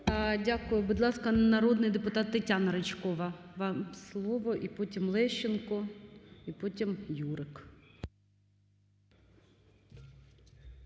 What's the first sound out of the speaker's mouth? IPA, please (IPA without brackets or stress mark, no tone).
dʲ